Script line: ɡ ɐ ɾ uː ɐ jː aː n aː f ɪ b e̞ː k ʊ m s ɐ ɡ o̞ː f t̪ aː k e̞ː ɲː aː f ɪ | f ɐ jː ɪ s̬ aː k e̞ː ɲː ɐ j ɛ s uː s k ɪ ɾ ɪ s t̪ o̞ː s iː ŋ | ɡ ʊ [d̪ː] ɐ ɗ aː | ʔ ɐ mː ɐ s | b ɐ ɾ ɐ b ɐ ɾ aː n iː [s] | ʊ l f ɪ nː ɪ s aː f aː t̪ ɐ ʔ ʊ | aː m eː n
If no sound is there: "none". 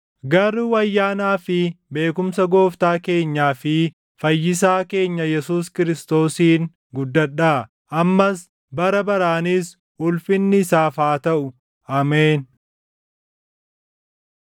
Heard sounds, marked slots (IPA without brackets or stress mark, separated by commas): d̪ː, s